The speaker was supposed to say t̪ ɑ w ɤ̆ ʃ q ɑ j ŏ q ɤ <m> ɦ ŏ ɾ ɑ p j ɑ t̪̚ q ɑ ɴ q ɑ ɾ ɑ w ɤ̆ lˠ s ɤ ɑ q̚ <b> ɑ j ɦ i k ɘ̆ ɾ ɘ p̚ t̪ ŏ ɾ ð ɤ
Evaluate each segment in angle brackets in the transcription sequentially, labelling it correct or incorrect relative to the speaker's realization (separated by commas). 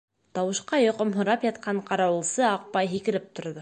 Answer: correct, incorrect